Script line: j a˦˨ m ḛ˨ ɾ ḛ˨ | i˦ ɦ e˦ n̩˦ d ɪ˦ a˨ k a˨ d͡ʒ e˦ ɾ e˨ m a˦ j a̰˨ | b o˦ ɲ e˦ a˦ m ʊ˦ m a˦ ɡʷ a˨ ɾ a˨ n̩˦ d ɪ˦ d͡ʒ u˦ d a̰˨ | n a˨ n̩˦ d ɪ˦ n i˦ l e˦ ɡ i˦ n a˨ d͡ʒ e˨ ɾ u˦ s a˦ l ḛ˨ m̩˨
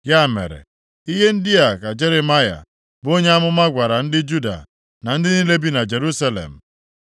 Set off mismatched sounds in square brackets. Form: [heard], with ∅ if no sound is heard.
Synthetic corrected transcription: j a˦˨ m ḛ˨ ɾ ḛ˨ | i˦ ɦ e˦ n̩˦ d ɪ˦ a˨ k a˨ d͡ʒ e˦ ɾ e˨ m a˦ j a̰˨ | b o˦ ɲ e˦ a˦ m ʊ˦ m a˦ ɡʷ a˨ ɾ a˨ n̩˦ d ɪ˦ d͡ʒ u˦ d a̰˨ | n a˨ n̩˦ d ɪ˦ n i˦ l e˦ [b] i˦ n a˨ d͡ʒ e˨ ɾ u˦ s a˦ l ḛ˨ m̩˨